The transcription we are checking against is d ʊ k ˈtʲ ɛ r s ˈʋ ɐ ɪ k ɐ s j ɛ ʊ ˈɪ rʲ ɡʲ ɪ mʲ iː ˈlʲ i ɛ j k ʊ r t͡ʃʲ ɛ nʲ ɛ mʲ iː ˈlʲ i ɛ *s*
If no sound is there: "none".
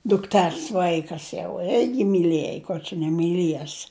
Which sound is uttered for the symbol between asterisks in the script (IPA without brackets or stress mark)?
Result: s